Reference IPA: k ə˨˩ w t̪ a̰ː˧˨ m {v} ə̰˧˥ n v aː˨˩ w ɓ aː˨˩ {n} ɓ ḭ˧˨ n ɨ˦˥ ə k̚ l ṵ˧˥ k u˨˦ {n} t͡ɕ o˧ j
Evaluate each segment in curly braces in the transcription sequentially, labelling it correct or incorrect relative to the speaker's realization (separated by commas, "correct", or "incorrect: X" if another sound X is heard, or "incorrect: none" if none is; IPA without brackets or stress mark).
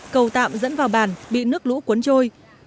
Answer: incorrect: z, correct, correct